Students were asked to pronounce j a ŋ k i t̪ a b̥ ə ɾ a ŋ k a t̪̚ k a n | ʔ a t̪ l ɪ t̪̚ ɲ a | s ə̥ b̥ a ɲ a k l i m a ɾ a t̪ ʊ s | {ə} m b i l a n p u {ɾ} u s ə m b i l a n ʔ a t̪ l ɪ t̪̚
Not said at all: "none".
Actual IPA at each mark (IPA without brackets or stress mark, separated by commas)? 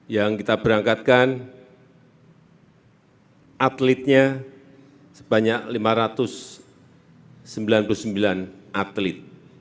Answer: ə, l